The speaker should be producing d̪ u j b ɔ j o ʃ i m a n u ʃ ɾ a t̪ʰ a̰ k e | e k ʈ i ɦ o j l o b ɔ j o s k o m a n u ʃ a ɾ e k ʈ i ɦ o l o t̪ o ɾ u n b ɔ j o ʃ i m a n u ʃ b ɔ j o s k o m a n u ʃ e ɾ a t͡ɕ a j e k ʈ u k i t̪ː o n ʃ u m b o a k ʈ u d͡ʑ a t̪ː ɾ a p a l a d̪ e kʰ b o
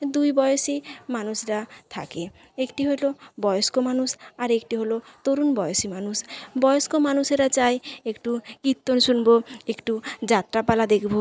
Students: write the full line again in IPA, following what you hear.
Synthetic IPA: d̪ u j b ɔ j o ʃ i m a n u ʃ ɾ a t̪ʰ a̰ k e | e k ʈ i ɦ o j l o b ɔ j o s k o m a n u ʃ a ɾ e k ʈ i ɦ o l o t̪ o ɾ u n b ɔ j o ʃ i m a n u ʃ b ɔ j o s k o m a n u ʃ e ɾ a t͡ɕ a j e k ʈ u k i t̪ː o n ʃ u n b o e k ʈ u d͡ʑ a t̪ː ɾ a p a l a d̪ e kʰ b o